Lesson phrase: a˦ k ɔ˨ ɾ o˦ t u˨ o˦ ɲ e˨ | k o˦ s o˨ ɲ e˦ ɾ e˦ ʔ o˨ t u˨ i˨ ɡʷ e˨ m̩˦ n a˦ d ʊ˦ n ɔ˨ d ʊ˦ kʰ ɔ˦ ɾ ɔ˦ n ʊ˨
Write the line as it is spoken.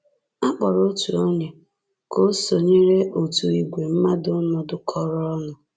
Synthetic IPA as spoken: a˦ k͡p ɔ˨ ɾ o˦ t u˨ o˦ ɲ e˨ | k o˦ s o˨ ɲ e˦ ɾ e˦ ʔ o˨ t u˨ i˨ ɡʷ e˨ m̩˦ m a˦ d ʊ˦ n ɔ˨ d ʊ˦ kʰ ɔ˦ ɾ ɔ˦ n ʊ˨